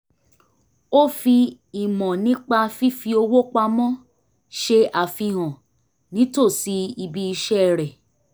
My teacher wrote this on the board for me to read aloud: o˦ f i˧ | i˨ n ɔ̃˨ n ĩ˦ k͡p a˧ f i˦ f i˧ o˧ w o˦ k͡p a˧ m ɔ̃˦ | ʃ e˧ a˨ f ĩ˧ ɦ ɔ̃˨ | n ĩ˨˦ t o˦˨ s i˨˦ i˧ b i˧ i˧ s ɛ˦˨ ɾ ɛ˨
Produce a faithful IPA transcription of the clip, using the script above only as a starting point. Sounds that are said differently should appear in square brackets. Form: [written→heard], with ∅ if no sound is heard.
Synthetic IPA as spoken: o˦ f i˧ | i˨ [n→m] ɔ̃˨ n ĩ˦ k͡p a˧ f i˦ f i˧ o˧ w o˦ k͡p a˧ m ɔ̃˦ | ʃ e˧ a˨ f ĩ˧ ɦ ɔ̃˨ | n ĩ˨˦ t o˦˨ s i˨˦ i˧ b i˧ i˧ [s→ʃ] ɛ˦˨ ɾ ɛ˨